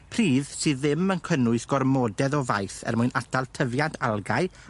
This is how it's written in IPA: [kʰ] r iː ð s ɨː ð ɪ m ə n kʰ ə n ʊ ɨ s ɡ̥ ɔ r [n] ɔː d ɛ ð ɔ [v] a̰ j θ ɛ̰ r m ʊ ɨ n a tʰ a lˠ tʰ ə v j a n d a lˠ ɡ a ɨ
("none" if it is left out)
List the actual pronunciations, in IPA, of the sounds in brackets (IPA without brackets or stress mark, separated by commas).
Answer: pʰ, m, v